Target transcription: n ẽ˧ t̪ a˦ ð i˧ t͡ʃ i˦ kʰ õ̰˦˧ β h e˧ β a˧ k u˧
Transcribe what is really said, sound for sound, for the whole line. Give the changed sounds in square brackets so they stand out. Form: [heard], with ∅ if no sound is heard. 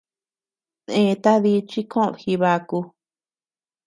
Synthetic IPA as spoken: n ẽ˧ t̪ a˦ ð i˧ t͡ʃ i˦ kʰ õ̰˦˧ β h [i˧] β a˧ k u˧